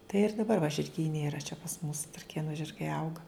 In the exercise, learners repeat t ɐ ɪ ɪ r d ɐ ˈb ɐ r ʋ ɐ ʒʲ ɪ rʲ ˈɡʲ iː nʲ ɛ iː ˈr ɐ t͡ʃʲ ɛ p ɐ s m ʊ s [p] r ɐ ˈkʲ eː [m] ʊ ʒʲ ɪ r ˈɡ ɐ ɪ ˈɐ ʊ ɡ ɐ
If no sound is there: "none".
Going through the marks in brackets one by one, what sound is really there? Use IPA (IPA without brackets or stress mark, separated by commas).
t, n